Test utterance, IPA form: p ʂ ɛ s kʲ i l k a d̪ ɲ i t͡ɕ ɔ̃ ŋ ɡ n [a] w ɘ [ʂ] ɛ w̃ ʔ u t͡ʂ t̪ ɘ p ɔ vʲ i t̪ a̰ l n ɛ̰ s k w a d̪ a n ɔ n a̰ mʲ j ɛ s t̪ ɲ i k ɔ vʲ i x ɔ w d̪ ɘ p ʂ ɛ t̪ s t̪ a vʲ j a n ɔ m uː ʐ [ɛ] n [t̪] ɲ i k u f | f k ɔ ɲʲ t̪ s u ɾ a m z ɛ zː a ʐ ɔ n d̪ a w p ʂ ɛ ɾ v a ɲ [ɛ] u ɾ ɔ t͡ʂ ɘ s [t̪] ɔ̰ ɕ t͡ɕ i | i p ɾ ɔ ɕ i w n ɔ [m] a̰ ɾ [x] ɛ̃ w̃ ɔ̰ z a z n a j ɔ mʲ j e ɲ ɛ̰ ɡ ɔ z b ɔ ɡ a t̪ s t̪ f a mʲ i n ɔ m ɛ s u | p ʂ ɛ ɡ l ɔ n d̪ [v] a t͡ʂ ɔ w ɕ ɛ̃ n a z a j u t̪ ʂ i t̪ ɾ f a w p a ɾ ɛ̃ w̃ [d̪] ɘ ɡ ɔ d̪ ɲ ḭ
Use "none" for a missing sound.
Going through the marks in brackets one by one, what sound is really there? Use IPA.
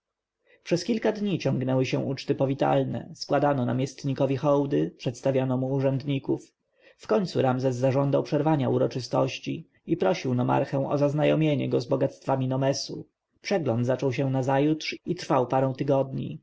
ɛ, ɕ, ɛ, d̪, a, t̪, m, x, z, t̪

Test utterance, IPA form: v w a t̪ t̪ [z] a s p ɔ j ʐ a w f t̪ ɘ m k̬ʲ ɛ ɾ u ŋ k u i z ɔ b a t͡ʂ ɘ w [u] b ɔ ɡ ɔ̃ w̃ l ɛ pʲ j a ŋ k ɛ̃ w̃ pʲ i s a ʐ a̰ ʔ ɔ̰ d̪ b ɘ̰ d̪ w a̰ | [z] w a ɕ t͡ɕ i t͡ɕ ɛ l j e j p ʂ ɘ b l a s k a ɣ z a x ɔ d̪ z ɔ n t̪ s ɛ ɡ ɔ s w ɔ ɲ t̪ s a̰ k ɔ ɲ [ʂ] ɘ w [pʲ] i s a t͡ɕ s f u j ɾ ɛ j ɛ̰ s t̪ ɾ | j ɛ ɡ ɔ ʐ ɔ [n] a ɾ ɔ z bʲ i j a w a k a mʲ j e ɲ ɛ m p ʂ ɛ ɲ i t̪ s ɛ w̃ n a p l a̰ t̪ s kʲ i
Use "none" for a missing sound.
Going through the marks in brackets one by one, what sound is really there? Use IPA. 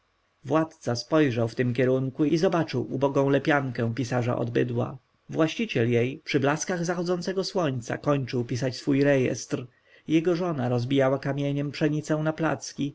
s, u, v, t͡ʂ, pʲ, n

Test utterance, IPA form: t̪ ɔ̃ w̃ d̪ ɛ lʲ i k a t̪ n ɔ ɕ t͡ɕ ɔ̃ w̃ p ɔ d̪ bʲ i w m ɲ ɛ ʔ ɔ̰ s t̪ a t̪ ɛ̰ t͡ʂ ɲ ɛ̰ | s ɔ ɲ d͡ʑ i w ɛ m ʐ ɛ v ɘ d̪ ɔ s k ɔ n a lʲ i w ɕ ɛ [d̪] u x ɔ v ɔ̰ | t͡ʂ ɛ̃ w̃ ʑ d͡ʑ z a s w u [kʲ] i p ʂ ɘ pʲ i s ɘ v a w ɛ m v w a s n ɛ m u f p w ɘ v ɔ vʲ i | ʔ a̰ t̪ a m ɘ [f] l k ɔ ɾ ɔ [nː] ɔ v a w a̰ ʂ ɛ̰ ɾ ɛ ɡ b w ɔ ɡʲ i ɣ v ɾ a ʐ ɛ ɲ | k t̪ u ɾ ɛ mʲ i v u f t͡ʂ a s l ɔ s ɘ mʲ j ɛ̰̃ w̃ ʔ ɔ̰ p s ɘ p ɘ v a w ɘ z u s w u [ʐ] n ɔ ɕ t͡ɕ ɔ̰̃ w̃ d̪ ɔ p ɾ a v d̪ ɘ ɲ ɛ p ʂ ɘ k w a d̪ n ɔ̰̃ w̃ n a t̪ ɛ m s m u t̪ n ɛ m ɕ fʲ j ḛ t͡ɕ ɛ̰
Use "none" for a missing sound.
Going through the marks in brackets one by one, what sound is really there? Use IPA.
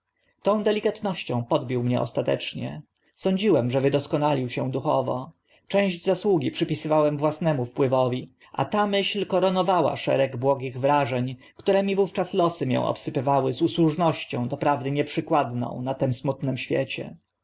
d̪, ɡʲ, ɕ, n, ʐ

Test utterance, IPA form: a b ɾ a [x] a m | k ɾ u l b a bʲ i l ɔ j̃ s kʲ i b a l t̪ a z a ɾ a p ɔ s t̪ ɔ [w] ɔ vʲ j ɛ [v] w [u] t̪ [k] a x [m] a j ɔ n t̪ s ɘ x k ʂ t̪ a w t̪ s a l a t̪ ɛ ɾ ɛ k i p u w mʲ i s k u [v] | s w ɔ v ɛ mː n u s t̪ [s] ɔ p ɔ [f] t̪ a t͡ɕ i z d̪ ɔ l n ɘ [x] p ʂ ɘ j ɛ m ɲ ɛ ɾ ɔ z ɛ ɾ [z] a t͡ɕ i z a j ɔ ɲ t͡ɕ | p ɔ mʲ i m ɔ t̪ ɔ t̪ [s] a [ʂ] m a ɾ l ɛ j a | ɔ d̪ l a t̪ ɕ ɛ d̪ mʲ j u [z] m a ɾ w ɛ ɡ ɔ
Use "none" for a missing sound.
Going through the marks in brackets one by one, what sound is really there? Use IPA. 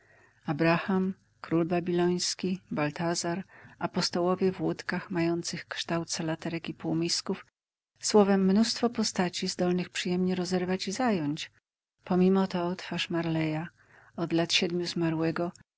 x, w, v, u, k, m, f, f, s, x, v, f, ʂ, z

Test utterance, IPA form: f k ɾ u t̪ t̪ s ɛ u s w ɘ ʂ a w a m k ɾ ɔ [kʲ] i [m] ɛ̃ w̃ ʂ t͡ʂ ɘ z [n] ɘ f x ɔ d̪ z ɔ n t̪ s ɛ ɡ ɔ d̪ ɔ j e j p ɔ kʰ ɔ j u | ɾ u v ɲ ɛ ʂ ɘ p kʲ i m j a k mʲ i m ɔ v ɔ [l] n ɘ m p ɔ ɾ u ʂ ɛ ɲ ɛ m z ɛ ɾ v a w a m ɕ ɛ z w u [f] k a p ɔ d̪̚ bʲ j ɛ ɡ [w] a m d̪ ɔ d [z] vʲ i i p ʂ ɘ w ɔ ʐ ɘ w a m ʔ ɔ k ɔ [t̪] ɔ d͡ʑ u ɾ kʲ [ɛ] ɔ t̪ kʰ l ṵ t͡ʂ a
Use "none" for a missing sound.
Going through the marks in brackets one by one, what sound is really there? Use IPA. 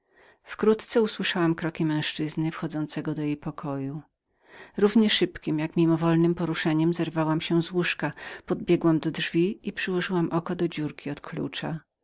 kʲ, m, n, l, ʂ, w, ʐ, d̪, i

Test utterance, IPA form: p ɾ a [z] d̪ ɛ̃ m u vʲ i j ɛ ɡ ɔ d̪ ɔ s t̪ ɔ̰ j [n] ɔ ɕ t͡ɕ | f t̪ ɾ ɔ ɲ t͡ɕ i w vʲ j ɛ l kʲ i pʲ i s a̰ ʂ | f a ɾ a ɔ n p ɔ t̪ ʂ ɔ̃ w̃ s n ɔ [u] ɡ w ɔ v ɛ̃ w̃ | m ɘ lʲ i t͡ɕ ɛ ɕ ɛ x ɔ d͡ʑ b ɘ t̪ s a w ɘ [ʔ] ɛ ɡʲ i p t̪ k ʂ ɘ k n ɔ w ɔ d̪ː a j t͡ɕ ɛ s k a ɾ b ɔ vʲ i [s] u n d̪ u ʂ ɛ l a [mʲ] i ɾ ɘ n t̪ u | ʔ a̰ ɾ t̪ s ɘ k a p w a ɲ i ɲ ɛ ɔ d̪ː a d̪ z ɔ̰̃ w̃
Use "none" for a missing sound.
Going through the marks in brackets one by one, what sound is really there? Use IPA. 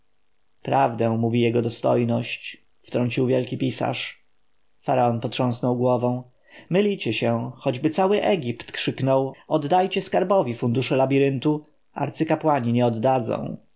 v, n, w, ʔ, f, bʲ

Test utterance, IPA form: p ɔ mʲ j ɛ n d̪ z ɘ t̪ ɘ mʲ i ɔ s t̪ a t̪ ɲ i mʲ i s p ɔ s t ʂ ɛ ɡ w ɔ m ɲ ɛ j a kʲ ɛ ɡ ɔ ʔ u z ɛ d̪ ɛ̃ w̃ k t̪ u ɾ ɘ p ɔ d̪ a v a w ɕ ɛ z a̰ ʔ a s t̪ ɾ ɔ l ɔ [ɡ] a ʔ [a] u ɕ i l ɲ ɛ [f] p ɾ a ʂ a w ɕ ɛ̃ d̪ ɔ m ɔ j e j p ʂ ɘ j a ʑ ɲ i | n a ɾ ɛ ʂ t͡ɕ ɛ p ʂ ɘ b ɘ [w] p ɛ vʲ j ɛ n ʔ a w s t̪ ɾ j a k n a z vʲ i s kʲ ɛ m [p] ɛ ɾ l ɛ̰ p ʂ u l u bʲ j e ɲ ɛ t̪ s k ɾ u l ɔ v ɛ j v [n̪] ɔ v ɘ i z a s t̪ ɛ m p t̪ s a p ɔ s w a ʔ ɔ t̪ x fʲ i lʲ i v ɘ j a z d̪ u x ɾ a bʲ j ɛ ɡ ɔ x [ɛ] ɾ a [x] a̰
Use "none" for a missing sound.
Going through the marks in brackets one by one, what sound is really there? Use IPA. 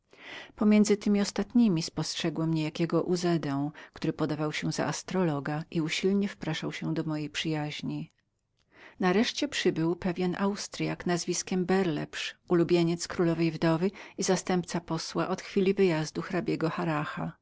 ɡ, i, f, w, b, d̪, a, x

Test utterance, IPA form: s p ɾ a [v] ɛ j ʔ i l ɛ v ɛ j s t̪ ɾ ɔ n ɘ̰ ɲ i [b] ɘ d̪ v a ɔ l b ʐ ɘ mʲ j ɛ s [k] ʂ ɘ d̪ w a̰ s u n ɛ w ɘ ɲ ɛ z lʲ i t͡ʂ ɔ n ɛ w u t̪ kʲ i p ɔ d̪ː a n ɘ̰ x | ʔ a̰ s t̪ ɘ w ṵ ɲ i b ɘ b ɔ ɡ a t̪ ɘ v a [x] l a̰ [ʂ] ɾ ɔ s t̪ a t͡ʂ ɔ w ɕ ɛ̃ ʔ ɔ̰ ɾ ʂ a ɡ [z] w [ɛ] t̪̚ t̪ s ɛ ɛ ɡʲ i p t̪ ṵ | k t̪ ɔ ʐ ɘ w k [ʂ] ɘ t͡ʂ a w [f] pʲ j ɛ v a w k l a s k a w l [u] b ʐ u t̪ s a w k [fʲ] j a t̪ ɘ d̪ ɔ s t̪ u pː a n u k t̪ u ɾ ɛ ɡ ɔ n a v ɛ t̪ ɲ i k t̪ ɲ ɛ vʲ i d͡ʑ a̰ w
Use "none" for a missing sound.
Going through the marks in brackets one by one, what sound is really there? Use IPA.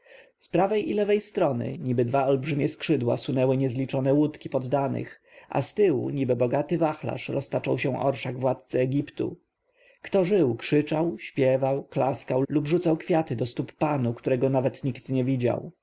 v, b, k, x, ʂ, v, a, ʂ, ɕ, u, fʲ

